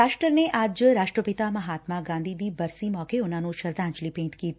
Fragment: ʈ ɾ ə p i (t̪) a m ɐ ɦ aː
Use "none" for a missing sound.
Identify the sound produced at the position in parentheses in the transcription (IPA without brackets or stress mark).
t̪